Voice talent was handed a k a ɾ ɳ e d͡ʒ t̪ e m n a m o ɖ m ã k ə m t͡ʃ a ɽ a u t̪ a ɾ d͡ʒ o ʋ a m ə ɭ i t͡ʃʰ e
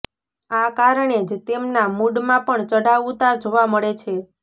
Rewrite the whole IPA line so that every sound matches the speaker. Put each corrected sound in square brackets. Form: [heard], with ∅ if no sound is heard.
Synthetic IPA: a k a ɾ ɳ e d͡ʒ t̪ e m n a m [u] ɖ m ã [p] ə [ɳ] t͡ʃ [ə] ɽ a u t̪ a ɾ d͡ʒ o ʋ a m ə ɭ [e] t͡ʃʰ e